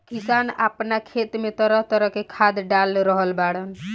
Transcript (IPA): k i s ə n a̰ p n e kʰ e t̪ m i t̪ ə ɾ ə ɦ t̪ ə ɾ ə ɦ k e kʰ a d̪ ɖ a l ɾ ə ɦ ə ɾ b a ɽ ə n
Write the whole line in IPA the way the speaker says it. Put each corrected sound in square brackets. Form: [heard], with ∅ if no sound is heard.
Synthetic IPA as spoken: k i s [a] n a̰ p n [a] kʰ e t̪ m [e] t̪ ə ɾ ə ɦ t̪ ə ɾ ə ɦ k e kʰ a d̪ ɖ a l ɾ ə ɦ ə [l] b a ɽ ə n